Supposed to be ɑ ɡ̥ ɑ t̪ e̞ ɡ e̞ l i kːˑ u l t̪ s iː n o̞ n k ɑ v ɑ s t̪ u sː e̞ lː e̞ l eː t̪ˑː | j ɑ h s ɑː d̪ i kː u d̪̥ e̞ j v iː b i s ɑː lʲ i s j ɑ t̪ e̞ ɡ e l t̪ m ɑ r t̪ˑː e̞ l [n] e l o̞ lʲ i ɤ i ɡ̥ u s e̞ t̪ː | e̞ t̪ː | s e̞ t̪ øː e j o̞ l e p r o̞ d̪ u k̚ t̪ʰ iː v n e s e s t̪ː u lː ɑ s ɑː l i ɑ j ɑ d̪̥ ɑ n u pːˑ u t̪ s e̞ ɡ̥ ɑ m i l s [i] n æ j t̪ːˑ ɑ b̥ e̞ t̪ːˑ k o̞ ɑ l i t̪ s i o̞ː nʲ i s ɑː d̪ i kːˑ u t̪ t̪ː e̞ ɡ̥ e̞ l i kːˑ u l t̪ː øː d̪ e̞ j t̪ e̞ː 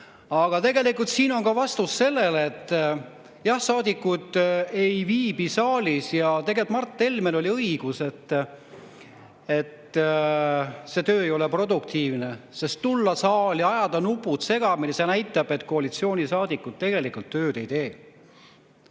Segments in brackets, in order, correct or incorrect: incorrect, incorrect

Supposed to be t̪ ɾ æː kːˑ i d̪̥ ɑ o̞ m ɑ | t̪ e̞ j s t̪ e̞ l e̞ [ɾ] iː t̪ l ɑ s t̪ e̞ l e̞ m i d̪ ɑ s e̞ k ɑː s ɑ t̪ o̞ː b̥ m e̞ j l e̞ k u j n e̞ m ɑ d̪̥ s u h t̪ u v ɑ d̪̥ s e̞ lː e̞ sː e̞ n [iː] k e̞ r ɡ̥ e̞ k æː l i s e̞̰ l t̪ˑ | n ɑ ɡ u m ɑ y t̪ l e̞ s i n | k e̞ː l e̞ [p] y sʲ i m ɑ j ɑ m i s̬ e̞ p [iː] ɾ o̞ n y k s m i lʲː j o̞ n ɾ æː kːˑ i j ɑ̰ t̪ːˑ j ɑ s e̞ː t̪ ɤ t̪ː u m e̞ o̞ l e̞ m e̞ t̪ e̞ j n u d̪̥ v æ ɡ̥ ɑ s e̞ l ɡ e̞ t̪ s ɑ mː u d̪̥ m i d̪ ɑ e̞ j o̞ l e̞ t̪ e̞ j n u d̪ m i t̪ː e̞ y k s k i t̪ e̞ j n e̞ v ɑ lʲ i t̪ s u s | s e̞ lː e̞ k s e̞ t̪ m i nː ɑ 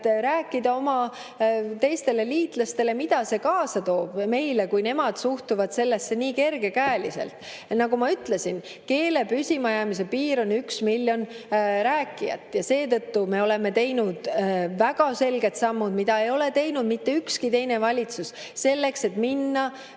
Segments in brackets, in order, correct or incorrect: incorrect, correct, correct, correct

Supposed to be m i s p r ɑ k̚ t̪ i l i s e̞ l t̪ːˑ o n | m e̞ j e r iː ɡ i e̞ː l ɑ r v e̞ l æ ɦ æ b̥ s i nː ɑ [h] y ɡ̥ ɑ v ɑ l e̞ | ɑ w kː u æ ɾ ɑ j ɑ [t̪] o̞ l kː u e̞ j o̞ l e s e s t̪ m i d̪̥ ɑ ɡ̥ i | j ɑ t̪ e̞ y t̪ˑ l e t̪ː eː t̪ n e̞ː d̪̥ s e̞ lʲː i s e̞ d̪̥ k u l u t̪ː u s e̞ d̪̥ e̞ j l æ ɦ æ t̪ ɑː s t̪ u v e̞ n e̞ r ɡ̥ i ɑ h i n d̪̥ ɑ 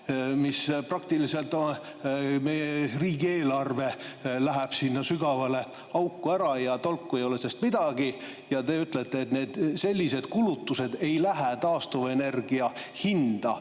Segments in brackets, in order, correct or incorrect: incorrect, correct

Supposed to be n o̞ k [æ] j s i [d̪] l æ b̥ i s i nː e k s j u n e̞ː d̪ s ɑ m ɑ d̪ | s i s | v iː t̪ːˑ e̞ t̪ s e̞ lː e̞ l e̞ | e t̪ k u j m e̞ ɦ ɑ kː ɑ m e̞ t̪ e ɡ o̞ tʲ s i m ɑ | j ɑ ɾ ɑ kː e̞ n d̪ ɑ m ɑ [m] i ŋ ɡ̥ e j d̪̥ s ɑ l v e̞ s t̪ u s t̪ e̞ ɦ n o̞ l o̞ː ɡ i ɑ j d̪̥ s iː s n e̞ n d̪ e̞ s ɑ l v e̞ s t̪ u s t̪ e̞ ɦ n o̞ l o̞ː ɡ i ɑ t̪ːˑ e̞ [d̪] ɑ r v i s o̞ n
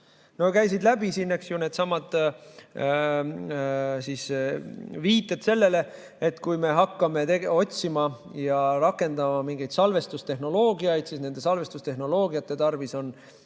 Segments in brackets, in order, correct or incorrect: correct, correct, correct, incorrect

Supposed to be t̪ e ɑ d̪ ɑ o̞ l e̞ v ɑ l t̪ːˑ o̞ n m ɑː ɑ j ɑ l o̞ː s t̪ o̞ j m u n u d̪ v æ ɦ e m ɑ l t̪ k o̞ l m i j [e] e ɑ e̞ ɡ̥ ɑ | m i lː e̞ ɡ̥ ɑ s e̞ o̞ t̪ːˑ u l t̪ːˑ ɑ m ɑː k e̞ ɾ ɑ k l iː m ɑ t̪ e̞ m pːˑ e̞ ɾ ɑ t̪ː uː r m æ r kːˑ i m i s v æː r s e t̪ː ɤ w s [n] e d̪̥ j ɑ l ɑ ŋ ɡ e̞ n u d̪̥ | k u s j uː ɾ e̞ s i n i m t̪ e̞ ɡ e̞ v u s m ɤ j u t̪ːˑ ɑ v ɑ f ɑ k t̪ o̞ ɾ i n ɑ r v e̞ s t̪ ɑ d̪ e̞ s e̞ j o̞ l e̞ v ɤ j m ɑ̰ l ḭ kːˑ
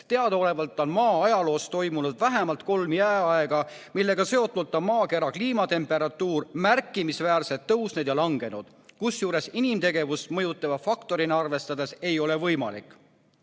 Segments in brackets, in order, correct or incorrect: incorrect, correct

